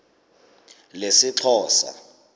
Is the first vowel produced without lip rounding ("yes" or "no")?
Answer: yes